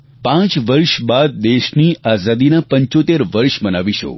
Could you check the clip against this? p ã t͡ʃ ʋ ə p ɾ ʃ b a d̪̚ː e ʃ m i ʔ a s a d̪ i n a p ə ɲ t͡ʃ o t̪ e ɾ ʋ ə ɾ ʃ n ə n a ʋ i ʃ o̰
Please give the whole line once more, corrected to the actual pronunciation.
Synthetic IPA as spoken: p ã t͡ʃ ʋ ə ɾ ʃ b a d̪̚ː e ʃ n i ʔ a z a d̪ i n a p ə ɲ t͡ʃ o t̪ e ɾ ʋ ə ɾ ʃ m ə n a ʋ i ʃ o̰